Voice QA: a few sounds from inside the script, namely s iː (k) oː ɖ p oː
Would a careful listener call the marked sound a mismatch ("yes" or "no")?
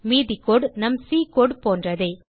no